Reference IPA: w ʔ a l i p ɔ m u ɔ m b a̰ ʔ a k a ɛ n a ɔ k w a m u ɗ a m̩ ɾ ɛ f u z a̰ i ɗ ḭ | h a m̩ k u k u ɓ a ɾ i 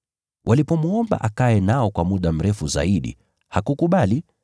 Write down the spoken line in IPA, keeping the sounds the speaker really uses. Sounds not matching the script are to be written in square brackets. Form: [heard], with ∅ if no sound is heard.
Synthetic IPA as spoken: w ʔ a l i p ɔ m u ɔ m b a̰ ʔ a k a ɛ n a ɔ k w a m u ɗ a m̩ ɾ ɛ f u z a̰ i ɗ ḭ | h a [∅] k u k u ɓ a [l] i